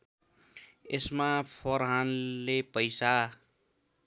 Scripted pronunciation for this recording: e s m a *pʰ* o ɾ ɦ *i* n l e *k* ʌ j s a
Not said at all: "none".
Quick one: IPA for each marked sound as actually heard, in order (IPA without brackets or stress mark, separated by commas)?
pʰ, a, p